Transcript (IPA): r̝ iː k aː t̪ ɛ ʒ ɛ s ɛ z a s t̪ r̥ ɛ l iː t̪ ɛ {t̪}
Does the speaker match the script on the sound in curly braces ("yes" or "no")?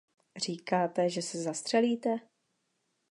no